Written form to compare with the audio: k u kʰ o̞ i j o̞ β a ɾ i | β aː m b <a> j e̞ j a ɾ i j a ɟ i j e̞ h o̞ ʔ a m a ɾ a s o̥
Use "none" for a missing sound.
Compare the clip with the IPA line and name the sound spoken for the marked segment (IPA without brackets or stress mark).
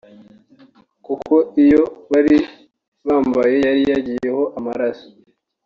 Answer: a